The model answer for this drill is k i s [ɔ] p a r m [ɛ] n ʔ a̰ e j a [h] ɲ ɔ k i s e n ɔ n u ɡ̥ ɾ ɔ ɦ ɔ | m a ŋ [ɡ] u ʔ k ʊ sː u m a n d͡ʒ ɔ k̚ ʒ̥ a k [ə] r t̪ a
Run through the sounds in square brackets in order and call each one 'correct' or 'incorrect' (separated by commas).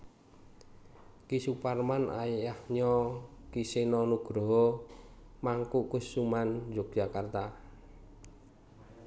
incorrect, incorrect, correct, incorrect, incorrect